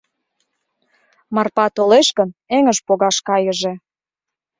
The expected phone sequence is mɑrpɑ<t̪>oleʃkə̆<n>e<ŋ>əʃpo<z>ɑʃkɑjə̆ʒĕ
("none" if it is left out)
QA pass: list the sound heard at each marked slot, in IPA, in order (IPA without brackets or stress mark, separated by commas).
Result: t̪, n, ŋ, ɣ